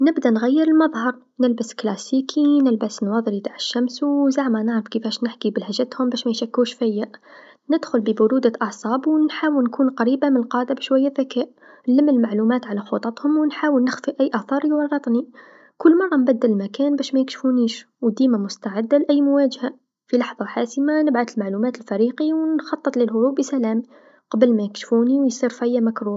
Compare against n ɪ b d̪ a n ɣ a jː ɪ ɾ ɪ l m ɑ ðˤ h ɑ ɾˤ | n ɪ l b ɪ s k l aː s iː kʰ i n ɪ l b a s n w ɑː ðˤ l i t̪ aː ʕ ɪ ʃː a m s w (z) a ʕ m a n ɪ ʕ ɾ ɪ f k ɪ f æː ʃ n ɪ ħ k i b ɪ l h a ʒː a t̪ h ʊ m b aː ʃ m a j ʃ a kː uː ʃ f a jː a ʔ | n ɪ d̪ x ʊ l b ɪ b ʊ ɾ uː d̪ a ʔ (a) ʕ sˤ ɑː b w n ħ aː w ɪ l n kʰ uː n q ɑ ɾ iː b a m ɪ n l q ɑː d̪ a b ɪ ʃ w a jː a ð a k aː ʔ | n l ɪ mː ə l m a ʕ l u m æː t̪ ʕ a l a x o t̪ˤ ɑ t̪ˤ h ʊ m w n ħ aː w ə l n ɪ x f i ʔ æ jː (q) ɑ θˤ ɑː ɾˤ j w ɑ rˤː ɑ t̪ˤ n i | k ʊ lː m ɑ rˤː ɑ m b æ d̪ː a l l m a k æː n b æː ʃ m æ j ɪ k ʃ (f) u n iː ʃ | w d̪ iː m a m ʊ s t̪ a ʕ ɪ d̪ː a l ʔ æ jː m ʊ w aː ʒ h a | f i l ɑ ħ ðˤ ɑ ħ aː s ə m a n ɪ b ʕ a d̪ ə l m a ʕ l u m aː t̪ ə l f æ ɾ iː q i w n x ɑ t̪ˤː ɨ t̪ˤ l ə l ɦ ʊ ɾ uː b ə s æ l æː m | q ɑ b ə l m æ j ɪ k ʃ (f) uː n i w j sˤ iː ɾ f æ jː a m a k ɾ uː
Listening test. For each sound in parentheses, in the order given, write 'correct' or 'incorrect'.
correct, incorrect: ɑ, incorrect: ʔ, correct, correct

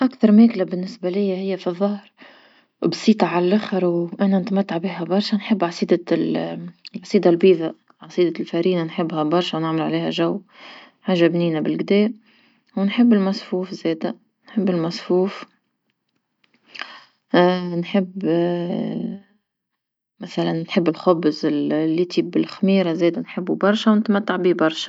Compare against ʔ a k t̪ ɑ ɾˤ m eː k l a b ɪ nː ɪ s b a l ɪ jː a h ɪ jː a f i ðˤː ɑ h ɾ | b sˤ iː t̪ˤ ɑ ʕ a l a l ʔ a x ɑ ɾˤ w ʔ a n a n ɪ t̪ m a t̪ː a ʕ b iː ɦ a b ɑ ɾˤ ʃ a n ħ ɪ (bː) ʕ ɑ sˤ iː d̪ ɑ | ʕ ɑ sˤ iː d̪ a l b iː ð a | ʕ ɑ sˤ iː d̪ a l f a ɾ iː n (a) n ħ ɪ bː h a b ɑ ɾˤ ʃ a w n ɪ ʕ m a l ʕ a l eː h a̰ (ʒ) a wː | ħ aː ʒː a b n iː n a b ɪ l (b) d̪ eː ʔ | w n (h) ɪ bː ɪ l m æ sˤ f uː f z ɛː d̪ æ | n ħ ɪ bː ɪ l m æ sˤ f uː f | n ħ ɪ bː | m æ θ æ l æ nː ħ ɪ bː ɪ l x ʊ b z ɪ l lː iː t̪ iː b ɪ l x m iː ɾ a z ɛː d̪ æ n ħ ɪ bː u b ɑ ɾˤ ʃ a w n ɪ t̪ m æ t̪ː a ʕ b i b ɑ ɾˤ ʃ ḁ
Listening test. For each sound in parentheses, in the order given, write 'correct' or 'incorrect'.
correct, correct, correct, incorrect: ɡ, incorrect: ħ

